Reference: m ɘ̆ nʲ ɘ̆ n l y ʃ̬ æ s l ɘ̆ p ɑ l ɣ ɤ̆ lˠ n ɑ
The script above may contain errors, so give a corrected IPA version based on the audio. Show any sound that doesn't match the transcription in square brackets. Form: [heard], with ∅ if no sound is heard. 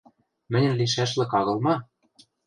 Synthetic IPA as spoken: m ɘ̆ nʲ ɘ̆ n l [i] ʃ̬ æ [ʃ] l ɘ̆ [k] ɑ [∅] ɣ ɤ̆ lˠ [m] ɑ